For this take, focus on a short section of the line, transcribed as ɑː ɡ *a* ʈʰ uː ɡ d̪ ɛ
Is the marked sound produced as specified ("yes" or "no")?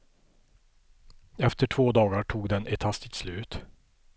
yes